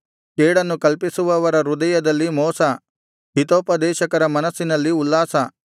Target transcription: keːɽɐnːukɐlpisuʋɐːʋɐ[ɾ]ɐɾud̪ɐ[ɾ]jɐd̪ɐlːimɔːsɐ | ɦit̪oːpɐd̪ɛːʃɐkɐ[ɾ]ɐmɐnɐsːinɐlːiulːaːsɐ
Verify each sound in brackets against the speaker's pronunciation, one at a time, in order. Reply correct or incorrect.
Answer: correct, incorrect, correct

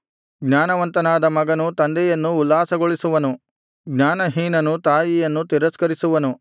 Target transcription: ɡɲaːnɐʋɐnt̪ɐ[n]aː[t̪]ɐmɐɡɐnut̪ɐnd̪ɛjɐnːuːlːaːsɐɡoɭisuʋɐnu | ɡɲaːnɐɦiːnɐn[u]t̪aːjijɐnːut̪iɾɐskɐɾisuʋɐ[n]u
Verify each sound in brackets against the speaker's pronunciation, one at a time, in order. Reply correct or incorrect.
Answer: correct, incorrect, correct, correct

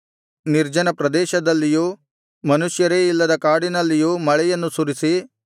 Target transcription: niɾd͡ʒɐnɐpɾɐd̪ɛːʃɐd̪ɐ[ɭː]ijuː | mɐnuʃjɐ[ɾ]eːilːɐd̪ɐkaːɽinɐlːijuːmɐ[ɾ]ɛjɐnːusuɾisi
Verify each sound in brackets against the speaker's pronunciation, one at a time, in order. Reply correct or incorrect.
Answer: incorrect, correct, incorrect

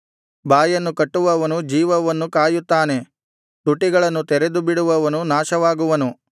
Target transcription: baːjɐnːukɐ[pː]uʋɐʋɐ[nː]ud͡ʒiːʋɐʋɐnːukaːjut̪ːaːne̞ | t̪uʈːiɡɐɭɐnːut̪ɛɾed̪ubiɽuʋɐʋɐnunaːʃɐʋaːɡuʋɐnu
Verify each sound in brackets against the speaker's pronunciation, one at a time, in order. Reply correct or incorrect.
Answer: incorrect, incorrect

